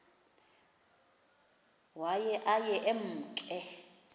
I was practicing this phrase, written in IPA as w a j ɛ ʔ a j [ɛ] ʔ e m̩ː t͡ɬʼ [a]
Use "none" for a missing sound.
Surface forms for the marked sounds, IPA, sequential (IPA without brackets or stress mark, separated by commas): ɛ, ɛ